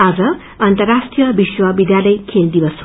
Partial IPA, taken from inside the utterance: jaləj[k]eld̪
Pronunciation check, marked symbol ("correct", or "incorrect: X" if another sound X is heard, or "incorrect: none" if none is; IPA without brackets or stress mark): incorrect: kʰ